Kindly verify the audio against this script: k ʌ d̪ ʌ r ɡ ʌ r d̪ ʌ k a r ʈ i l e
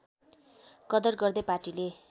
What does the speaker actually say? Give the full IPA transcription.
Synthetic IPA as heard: k ʌ d̪ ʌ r ɡ ʌ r d̪ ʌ p a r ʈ i l e